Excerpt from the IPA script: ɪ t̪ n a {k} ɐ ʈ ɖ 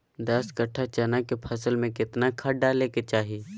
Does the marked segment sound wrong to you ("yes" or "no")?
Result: yes